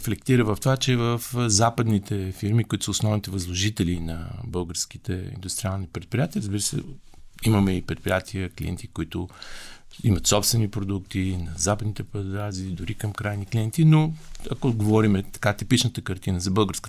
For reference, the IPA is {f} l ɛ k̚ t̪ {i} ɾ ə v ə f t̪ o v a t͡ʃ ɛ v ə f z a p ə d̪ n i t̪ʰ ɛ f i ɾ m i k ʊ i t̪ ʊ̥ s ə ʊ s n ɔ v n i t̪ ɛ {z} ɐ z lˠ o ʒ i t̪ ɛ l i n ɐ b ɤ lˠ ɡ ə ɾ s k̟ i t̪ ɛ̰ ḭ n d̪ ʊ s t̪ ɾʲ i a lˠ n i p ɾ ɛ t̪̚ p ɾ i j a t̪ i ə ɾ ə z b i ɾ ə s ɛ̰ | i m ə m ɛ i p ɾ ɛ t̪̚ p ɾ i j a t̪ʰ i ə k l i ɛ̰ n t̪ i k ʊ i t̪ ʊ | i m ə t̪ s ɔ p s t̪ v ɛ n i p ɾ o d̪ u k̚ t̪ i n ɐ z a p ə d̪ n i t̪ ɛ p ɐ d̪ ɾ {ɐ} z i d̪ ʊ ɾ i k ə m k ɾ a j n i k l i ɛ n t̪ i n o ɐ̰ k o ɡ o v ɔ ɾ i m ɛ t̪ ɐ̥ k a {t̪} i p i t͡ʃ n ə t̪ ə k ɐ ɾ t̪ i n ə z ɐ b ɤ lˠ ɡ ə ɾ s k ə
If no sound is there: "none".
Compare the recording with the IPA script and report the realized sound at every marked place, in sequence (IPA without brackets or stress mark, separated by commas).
f, i, v, a, t̪